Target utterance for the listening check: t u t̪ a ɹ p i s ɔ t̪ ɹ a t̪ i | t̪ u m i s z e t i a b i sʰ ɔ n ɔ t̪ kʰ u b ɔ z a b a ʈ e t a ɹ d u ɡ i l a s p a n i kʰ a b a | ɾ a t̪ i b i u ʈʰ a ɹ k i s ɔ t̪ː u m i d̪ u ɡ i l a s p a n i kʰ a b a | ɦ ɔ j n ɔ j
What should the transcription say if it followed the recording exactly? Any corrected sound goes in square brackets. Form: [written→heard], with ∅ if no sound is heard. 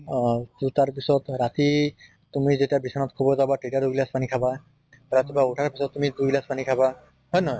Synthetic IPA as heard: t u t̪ a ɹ p i s ɔ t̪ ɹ a t̪ i | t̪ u m i [s→∅] z e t i a b i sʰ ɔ n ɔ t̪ kʰ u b ɔ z a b a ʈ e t a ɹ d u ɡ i l a s p a n i kʰ a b a | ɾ a t̪ i b [i→a] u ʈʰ a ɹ [k→p] i s ɔ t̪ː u m i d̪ u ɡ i l a s p a n i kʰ a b a | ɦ ɔ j n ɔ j